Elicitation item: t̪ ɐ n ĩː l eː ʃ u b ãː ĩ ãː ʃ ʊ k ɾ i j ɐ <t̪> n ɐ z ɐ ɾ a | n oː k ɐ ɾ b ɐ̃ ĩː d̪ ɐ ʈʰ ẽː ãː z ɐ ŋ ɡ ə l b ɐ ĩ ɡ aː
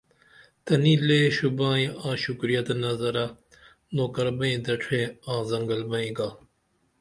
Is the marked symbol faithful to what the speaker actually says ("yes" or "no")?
yes